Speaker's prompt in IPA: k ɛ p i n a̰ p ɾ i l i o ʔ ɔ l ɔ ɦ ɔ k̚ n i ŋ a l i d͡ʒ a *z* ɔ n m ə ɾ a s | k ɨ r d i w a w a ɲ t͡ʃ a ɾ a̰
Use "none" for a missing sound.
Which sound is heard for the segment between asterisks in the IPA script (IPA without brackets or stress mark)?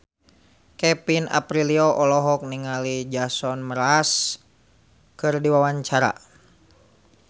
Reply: s